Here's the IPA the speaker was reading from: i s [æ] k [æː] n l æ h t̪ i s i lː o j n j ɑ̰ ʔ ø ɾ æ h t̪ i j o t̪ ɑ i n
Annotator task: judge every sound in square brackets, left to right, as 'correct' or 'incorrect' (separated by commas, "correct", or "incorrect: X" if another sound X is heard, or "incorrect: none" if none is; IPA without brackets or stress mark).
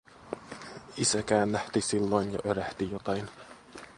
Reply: correct, correct